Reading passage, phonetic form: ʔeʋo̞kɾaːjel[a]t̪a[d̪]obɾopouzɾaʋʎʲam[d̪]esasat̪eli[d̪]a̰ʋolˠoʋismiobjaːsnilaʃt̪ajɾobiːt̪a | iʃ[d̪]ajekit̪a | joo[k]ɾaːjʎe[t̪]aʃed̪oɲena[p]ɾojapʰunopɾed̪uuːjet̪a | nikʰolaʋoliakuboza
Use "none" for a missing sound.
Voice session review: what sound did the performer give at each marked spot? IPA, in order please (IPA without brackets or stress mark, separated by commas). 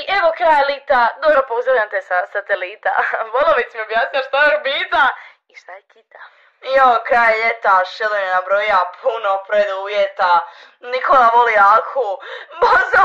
i, d̪, t̪, t̪, t̪, k, t̪, b